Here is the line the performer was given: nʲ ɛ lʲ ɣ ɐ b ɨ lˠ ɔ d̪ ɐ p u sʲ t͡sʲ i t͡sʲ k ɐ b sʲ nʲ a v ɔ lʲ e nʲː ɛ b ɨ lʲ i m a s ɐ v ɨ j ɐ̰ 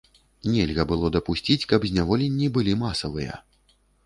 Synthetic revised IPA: nʲ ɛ lʲ ɣ ɐ b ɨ lˠ ɔ d̪ ɐ p u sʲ t͡sʲ i t͡sʲ k ɐ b zʲ nʲ a v ɔ lʲ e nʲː i b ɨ lʲ i m a s ɐ v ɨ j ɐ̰